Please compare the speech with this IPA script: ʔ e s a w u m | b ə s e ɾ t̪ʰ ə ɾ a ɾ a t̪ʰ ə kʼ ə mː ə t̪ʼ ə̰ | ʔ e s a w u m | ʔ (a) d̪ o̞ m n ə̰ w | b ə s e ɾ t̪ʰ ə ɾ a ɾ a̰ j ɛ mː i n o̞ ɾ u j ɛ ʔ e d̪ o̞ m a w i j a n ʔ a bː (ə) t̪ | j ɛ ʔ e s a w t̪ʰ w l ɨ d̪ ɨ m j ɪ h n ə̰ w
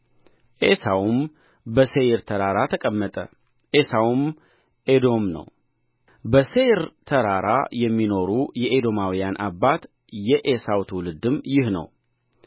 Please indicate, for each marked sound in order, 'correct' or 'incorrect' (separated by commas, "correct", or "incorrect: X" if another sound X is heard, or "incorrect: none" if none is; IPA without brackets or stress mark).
incorrect: e, incorrect: a